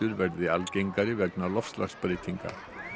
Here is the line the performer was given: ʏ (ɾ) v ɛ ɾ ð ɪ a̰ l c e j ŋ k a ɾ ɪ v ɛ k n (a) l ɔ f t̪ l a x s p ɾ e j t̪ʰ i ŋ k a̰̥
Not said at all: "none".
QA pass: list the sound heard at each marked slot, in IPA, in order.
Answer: ɾ, a

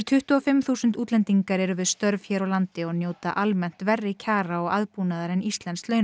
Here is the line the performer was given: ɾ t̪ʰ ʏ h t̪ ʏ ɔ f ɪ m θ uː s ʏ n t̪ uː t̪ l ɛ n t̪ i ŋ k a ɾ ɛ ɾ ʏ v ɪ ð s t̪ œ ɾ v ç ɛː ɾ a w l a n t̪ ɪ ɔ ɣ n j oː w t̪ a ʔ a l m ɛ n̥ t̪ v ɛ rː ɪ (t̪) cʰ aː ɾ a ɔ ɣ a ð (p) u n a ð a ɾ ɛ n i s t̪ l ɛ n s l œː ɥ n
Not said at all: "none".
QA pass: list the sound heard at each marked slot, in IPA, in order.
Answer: none, p

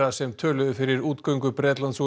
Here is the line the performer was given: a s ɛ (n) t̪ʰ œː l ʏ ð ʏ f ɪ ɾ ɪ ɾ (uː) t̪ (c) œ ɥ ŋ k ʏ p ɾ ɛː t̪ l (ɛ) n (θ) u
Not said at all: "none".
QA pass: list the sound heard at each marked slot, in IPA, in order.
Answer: m, uː, k, a, s

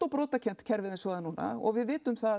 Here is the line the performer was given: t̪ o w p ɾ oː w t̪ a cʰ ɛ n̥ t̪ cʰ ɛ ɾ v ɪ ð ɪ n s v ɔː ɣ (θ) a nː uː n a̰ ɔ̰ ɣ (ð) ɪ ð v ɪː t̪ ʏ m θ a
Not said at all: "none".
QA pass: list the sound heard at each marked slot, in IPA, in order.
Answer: ð, v

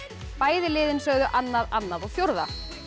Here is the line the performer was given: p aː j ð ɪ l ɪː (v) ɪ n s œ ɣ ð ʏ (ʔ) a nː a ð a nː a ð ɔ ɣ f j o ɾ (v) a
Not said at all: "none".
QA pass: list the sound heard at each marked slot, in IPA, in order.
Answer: ð, ʔ, ð

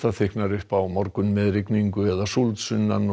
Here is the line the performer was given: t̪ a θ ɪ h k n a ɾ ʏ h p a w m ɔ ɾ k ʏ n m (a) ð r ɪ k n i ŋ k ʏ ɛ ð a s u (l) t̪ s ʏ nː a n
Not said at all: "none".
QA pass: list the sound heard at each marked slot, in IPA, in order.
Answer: ɛ, l

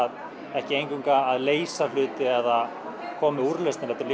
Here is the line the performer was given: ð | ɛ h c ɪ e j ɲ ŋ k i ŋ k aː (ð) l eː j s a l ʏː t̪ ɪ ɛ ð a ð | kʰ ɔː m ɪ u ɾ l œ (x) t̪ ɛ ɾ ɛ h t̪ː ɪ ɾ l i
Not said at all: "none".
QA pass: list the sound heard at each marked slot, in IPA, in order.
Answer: ð, s

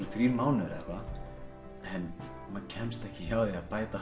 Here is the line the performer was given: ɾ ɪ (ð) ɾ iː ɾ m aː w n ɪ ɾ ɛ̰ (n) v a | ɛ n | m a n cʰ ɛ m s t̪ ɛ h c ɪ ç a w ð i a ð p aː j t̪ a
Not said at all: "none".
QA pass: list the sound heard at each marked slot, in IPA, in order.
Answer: θ, none

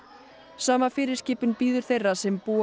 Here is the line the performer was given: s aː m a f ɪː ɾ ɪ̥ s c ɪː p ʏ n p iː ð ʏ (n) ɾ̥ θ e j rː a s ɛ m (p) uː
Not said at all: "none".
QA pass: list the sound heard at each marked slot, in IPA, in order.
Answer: none, p

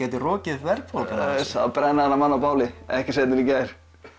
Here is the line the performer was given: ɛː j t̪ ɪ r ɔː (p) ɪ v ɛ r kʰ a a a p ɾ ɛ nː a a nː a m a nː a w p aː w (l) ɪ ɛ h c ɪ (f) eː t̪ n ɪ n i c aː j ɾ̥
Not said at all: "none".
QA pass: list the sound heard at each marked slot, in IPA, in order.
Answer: c, l, s

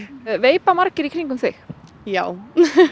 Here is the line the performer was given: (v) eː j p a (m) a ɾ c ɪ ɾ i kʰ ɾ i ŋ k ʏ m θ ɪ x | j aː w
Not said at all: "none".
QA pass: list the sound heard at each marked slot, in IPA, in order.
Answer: v, m

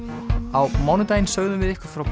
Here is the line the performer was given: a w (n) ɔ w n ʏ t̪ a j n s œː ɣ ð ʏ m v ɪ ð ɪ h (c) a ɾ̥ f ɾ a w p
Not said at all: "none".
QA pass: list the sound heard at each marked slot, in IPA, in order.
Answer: m, k

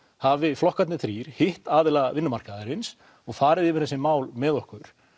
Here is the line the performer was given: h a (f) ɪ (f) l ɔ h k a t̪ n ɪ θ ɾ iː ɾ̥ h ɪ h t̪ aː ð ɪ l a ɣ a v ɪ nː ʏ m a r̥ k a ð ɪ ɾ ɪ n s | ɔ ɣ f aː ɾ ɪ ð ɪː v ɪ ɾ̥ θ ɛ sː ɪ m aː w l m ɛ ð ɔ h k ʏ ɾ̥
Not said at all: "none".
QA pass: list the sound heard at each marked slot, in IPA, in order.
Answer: v, f

